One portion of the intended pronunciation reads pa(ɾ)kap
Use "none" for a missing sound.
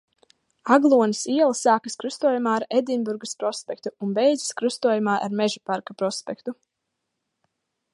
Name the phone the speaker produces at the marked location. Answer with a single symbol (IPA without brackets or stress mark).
ɾ